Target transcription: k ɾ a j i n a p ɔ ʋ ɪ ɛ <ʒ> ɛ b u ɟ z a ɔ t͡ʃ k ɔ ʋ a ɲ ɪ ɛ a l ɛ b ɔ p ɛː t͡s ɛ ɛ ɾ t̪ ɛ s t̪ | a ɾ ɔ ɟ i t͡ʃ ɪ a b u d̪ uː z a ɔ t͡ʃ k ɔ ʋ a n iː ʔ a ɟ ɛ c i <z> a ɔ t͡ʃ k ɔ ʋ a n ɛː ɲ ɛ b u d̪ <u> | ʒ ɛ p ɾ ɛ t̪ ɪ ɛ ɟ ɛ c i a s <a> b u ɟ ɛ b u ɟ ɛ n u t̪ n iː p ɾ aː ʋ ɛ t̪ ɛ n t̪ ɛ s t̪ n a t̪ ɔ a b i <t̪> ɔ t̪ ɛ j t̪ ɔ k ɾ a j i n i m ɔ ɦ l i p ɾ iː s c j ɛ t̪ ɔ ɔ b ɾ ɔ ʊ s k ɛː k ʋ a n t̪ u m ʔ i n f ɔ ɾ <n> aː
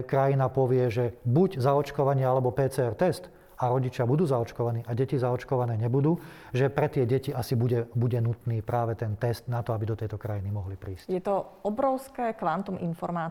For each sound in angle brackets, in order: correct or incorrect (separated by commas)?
correct, correct, incorrect, incorrect, incorrect, incorrect